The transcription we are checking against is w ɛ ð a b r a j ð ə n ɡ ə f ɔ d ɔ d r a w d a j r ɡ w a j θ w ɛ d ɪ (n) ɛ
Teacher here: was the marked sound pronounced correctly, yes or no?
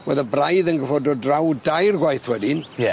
yes